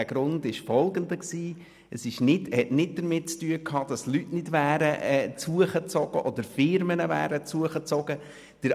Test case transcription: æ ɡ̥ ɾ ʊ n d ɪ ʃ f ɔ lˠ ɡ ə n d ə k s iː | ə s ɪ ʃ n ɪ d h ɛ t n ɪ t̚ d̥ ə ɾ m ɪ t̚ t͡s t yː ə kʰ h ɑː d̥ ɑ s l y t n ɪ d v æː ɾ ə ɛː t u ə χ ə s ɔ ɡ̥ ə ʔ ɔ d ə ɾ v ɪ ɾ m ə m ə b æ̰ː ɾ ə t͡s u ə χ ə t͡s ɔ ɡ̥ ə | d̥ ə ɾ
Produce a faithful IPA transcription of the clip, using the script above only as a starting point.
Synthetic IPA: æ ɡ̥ ɾ ʊ n d ɪ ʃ f ɔ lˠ ɡ ə n d ə k s iː | ə s ɪ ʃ n ɪ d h ɛ t n ɪ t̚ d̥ ə ɾ m ɪ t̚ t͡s t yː ə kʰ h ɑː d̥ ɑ s l y t n ɪ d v æː ɾ ə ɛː t͡s u ə χ ə t͡s ɔ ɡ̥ ə ʔ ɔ d ə ɾ f ɪ ɾ m ə n ə v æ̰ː ɾ ə t͡s u ə χ ə t͡s ɔ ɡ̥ ə | d̥ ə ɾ